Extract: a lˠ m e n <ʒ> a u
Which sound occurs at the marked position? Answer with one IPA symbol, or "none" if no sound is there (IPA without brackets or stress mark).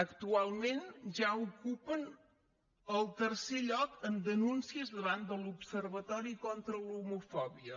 ʒ